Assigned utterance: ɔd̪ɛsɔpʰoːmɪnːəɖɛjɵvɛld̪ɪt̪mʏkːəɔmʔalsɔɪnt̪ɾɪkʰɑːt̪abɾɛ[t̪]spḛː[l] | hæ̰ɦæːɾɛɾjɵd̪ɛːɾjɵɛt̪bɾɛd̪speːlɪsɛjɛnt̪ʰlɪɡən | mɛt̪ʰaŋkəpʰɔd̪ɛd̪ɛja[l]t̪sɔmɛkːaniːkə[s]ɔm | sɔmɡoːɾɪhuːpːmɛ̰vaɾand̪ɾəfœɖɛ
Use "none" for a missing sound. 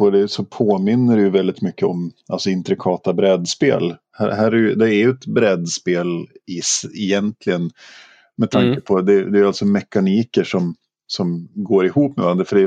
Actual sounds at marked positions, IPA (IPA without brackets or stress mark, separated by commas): d̪, l, l, ʂ